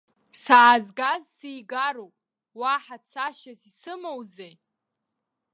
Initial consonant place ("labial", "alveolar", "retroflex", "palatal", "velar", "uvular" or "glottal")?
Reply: alveolar